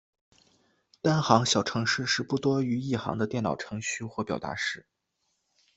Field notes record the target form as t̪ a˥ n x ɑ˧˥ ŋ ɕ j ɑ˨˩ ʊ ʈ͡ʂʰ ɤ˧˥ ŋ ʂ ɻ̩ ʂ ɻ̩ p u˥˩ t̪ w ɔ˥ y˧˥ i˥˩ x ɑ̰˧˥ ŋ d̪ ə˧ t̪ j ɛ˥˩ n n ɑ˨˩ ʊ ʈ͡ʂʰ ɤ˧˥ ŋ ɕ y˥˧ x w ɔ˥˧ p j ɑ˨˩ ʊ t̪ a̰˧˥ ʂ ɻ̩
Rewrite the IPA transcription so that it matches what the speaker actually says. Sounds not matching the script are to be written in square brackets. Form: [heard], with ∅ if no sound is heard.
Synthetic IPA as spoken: t̪ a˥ n x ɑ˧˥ ŋ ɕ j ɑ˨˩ ʊ ʈ͡ʂʰ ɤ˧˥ ŋ ʂ ɻ̩ ʂ ɻ̩ p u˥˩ t̪ w ɔ˥ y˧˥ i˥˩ x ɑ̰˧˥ ŋ d̪ ə˧ t̪ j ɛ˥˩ n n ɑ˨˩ ʊ ʈ͡ʂʰ ɤ˧˥ ŋ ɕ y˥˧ x w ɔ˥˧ p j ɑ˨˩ ʊ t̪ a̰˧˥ ʂ ɻ̩

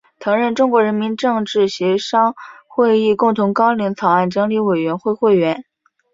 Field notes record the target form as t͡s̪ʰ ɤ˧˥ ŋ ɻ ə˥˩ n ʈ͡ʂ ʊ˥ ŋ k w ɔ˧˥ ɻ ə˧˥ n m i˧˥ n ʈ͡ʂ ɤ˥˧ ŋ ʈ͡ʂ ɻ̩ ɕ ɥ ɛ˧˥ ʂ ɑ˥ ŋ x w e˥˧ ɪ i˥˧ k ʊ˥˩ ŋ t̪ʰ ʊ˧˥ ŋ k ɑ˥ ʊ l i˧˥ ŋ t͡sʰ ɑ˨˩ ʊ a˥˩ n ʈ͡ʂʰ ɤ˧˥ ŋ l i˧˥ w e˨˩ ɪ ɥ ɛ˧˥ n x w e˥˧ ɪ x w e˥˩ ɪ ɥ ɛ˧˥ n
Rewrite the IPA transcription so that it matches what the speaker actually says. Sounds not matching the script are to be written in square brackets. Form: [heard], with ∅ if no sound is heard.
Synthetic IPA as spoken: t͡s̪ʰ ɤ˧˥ ŋ ɻ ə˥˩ n ʈ͡ʂ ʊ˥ ŋ k w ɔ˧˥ ɻ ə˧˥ n m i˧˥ n ʈ͡ʂ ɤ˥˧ ŋ ʈ͡ʂ ɻ̩ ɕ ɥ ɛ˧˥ ʂ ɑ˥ ŋ x w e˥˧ ɪ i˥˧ k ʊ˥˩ ŋ t̪ʰ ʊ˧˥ ŋ k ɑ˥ ʊ l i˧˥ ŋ t͡sʰ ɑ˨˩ ʊ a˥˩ n [ʈ͡ʂ] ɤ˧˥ ŋ l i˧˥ w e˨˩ ɪ ɥ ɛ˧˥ n x w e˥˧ ɪ x w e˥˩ ɪ ɥ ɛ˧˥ n

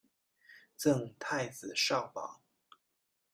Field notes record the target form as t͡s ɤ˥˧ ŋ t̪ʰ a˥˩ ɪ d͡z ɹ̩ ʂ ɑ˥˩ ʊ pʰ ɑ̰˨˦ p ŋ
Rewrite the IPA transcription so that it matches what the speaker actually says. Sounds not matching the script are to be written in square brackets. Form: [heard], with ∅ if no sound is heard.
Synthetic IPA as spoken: t͡s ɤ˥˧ ŋ t̪ʰ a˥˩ ɪ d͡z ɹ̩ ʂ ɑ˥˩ ʊ [p] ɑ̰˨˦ [∅] ŋ

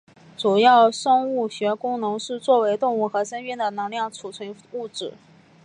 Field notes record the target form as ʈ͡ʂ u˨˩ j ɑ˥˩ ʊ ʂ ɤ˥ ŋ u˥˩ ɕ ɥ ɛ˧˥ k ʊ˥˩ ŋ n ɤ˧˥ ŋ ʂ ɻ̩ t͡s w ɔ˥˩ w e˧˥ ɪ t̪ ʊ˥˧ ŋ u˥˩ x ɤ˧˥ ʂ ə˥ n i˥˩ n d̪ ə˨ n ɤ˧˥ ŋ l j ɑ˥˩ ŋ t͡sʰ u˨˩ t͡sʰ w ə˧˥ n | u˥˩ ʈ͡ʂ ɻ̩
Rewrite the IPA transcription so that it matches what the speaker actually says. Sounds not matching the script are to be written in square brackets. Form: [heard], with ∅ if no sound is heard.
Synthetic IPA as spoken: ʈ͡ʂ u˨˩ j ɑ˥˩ ʊ ʂ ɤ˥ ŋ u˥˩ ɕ ɥ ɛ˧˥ k [ʊ˥] ŋ n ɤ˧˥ ŋ ʂ ɻ̩ t͡s w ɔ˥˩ w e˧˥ ɪ t̪ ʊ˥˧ ŋ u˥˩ x ɤ˧˥ ʂ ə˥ n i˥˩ n d̪ ə˨ n ɤ˧˥ ŋ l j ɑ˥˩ ŋ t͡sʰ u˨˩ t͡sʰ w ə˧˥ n | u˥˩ ʈ͡ʂ ɻ̩

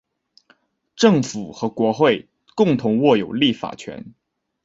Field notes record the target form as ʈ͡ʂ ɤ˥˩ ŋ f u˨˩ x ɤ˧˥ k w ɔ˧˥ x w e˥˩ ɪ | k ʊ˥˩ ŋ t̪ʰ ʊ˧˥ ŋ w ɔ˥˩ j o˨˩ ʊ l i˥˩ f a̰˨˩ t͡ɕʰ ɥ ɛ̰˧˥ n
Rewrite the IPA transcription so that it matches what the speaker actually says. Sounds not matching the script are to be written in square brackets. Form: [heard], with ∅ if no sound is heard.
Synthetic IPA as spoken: ʈ͡ʂ ɤ˥˩ ŋ f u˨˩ x ɤ˧˥ k w ɔ˧˥ x w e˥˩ ɪ | k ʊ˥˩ ŋ t̪ʰ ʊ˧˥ ŋ w ɔ˥˩ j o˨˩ ʊ l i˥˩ f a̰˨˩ t͡ɕʰ ɥ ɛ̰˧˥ n

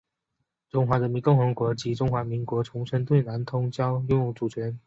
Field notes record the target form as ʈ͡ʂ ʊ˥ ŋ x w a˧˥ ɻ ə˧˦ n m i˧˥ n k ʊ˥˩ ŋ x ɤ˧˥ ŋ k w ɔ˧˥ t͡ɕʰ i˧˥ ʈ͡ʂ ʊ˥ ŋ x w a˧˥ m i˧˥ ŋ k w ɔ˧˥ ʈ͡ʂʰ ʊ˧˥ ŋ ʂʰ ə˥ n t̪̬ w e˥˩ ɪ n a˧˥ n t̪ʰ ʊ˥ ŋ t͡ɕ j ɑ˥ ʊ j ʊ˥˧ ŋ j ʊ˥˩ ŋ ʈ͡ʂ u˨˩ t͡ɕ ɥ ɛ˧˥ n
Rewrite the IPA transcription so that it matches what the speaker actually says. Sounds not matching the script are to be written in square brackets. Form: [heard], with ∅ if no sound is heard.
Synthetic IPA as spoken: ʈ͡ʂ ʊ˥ ŋ x w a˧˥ ɻ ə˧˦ n m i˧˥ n k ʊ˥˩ ŋ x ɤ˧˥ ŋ k w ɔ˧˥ [t͡ɕ] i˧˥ ʈ͡ʂ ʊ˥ ŋ x w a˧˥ m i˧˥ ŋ k w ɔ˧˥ ʈ͡ʂʰ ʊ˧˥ ŋ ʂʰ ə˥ n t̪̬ w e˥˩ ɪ n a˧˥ n t̪ʰ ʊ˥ ŋ t͡ɕ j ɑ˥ ʊ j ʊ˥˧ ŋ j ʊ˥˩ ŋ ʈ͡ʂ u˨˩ [t͡ɕʰ] ɥ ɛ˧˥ n

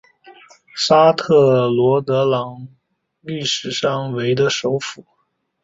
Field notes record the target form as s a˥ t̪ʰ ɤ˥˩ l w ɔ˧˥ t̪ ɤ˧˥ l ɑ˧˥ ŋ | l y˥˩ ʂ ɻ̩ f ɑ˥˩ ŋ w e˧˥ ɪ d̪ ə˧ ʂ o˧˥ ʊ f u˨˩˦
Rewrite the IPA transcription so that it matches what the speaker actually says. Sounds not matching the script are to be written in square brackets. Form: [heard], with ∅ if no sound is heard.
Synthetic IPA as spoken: s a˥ t̪ʰ ɤ˥˩ l w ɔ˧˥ t̪ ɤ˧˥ l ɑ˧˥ ŋ | l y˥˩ ʂ ɻ̩ [ʂ] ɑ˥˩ ŋ w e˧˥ ɪ d̪ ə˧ ʂ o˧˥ ʊ f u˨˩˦

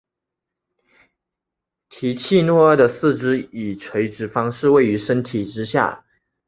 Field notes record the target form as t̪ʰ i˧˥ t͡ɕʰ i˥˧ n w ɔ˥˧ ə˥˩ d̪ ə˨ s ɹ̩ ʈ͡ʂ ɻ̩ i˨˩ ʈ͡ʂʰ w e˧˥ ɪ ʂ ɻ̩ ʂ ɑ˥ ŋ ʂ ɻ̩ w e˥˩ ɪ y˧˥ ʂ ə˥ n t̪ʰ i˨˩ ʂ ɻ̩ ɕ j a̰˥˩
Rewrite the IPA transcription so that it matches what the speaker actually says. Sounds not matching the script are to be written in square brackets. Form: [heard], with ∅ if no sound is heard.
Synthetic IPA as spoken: t̪ʰ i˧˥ t͡ɕʰ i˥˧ n w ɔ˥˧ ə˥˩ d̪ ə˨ s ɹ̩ ʈ͡ʂ ɻ̩ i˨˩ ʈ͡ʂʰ w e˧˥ ɪ [ʈ͡ʂ] ɻ̩ [f] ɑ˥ ŋ ʂ ɻ̩ w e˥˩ ɪ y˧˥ ʂ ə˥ n t̪ʰ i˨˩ [ʈ͡ʂ] ɻ̩ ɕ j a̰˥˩

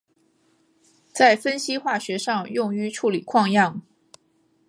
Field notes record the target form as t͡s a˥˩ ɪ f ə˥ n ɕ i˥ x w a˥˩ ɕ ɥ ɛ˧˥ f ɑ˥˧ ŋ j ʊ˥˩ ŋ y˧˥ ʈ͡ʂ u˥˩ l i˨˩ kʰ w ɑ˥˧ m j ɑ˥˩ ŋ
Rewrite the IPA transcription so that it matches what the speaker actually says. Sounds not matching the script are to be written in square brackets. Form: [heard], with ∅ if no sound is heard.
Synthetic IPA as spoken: t͡s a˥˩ ɪ f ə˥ n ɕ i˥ x w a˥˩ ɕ ɥ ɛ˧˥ [ʂ] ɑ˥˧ ŋ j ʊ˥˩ ŋ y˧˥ [ʈ͡ʂʰ] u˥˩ l i˨˩ kʰ w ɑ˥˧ [ŋ] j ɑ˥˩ ŋ

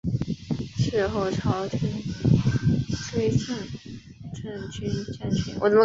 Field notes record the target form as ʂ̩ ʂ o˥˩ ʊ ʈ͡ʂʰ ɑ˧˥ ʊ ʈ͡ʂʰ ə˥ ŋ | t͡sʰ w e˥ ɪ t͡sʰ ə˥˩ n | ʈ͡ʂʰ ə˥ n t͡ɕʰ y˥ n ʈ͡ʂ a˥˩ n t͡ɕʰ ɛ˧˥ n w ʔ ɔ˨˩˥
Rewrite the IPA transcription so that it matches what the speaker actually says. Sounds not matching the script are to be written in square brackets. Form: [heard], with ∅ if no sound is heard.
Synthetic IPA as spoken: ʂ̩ [x] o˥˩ ʊ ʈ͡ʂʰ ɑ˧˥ ʊ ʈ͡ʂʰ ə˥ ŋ | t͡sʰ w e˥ ɪ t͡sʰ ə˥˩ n | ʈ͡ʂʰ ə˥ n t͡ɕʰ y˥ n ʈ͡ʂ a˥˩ n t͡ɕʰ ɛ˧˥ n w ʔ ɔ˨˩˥

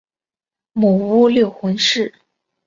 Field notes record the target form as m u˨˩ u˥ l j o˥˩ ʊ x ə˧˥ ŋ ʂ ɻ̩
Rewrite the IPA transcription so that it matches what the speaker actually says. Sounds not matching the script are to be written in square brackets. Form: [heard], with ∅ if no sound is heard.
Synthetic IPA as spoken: m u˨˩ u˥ l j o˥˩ ʊ x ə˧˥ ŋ ʂ ɻ̩

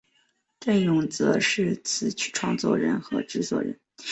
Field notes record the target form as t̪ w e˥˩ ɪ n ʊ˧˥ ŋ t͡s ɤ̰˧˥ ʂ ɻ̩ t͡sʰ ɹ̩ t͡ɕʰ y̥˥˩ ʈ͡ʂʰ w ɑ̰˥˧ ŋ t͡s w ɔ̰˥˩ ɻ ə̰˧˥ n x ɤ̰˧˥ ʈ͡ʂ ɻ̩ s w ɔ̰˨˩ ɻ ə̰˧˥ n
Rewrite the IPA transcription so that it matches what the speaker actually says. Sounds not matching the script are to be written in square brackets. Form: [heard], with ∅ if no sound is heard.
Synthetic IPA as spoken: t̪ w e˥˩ ɪ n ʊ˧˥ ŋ t͡s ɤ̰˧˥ ʂ ɻ̩ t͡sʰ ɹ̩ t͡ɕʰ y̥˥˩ ʈ͡ʂʰ w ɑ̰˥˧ ŋ t͡s w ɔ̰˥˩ ɻ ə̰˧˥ n x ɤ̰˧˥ ʈ͡ʂ ɻ̩ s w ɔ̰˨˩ ɻ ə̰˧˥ n

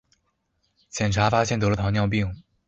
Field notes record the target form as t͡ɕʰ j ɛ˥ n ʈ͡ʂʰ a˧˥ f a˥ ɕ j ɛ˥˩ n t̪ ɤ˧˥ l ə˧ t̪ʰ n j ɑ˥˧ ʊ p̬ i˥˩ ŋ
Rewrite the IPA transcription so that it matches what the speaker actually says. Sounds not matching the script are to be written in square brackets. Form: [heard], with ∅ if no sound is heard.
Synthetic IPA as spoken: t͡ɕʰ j [ɛ˨˩] n ʈ͡ʂʰ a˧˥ f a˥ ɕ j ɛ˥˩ n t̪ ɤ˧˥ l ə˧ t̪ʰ n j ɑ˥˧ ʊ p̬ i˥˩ ŋ

